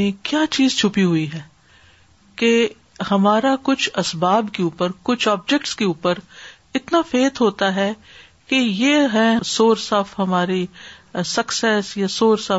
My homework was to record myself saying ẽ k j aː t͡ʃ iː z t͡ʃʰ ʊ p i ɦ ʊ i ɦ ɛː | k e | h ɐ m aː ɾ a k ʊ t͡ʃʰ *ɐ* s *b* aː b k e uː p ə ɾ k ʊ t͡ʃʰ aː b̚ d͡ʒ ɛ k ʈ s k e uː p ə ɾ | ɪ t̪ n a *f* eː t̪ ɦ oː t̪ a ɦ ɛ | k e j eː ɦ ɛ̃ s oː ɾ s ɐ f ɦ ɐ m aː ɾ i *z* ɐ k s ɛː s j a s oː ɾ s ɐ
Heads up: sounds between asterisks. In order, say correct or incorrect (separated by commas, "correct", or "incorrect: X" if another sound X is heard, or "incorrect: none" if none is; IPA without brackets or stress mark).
correct, correct, correct, incorrect: s